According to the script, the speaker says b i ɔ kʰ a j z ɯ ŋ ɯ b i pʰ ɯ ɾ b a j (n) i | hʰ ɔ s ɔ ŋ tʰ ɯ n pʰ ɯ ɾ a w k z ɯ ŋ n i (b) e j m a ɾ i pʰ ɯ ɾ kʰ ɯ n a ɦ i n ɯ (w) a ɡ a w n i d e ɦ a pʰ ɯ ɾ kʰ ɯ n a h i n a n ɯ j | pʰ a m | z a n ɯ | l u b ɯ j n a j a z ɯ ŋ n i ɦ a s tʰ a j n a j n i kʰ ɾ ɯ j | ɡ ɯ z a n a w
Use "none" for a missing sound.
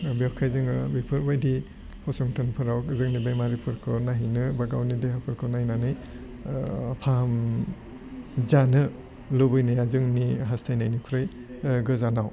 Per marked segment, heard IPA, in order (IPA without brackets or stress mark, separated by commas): d, b, b